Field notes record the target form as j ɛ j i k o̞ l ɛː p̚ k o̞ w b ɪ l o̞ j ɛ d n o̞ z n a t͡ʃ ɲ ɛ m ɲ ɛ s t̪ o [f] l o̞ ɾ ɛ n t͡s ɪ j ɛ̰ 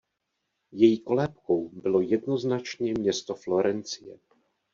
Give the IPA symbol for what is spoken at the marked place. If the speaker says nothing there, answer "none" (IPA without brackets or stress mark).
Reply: f